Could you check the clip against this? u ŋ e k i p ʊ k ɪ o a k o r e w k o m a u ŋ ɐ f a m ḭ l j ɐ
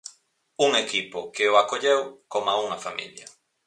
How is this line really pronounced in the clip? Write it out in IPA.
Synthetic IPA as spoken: u ŋ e k i p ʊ k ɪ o a k o ʎ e w k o m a u ŋ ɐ f a m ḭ l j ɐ